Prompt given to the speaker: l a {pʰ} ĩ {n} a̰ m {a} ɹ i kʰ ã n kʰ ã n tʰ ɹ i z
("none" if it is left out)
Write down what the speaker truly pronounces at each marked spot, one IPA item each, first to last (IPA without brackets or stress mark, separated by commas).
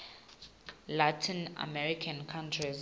tʰ, n, ɛ